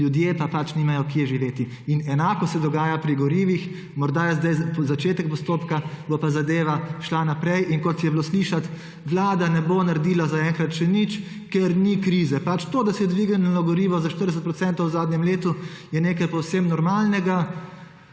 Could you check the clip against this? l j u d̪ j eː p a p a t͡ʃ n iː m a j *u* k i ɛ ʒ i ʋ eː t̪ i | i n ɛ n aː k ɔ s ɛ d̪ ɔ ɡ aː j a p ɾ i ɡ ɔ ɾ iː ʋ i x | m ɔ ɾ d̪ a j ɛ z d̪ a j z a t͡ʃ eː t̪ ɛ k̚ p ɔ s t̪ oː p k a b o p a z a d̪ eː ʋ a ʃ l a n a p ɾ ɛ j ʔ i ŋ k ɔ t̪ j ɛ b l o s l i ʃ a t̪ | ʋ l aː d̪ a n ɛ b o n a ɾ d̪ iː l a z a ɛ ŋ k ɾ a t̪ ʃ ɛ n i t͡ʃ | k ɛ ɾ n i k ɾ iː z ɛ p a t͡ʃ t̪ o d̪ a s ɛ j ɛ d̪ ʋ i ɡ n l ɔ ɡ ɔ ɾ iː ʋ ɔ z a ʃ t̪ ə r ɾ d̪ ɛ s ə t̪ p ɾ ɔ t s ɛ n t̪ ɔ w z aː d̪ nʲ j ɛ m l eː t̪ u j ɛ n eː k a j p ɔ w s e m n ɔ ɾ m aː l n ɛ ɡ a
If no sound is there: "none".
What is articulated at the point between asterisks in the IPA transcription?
ɔ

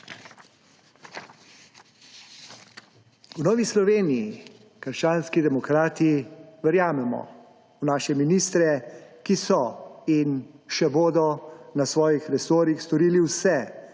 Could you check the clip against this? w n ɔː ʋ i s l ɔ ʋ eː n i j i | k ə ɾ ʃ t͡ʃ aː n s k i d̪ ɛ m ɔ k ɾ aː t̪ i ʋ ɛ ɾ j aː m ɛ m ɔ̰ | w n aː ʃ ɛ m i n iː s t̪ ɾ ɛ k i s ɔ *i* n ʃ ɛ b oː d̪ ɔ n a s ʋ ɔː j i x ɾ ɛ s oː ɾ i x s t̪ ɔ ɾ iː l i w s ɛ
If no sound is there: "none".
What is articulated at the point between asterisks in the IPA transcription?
i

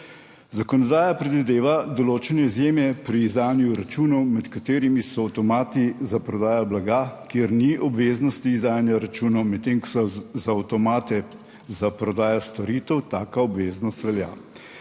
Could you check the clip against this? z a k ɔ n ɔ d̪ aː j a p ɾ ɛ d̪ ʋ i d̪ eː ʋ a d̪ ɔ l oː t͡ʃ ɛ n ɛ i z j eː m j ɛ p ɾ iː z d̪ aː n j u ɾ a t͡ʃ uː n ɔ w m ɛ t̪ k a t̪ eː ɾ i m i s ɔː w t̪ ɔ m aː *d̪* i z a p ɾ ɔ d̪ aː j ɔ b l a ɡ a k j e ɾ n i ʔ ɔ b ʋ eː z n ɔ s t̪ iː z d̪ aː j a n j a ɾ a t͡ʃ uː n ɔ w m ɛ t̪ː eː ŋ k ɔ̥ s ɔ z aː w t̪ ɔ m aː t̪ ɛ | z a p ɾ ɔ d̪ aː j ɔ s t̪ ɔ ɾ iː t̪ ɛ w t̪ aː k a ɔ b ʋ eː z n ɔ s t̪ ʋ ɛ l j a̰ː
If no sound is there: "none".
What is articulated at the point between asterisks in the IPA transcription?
t̪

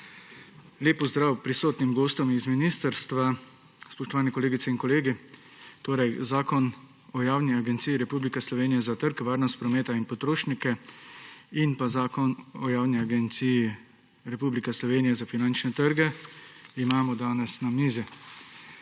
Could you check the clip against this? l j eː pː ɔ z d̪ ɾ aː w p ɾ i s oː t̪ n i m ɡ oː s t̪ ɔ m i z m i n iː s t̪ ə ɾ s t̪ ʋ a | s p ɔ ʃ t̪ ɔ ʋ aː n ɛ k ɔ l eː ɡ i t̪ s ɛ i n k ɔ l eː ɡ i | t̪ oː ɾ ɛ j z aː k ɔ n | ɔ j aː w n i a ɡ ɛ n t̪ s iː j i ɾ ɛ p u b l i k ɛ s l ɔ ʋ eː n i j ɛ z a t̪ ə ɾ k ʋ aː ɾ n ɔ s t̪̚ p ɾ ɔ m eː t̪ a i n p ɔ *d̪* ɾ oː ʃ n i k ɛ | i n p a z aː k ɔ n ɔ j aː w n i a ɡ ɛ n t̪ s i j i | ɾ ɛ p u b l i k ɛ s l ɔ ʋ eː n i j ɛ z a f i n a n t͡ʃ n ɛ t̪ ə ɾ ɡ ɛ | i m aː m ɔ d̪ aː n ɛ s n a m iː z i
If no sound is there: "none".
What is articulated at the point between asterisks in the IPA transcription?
t̪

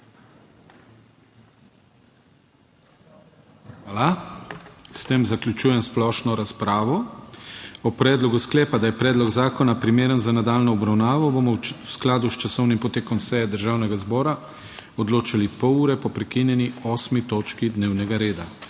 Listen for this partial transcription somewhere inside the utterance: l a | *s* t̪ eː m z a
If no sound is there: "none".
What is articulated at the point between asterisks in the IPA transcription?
s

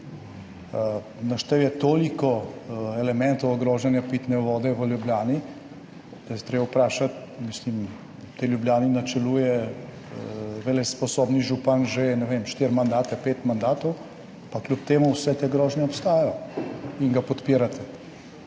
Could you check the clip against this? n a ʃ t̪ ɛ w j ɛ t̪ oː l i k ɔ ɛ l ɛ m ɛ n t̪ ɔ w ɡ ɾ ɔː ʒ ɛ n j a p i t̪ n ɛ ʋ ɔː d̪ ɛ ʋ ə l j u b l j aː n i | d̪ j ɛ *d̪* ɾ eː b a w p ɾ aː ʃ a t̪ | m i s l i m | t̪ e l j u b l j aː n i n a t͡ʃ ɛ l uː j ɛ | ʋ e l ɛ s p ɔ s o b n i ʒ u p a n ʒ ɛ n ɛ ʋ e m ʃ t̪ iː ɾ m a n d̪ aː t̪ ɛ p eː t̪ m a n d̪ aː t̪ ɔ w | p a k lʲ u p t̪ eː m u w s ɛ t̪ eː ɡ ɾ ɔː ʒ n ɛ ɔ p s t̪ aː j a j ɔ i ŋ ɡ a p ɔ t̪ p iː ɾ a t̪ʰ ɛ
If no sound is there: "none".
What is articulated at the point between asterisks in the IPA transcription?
t̪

